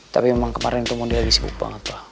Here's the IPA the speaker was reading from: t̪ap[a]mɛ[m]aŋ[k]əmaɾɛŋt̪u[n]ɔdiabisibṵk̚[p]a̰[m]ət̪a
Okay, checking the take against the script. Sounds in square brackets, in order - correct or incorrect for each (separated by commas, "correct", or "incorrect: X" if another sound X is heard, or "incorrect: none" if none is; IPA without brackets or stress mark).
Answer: incorrect: i, correct, correct, incorrect: m, incorrect: b, incorrect: ŋ